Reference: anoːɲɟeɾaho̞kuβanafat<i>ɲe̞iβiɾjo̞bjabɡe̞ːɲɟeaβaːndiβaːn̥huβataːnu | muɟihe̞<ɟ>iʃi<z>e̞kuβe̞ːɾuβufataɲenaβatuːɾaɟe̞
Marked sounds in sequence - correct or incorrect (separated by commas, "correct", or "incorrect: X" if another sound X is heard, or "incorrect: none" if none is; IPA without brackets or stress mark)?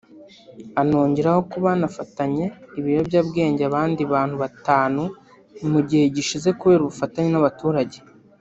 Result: incorrect: a, correct, correct